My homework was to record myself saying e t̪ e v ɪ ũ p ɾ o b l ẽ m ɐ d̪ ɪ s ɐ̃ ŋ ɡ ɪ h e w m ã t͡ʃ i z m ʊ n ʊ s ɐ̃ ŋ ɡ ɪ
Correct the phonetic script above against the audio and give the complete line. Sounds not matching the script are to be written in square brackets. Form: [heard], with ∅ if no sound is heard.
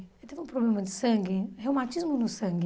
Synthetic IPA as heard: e t̪ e v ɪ ũ p ɾ o b l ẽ m ɐ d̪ ɪ s ɐ̃ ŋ ɡ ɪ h e w m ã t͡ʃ i z m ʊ n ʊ s ɐ̃ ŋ ɡ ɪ